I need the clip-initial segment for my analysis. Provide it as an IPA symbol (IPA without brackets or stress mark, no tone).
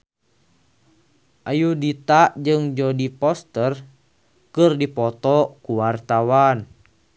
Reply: ʔ